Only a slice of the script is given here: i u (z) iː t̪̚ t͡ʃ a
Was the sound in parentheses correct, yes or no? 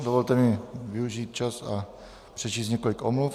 no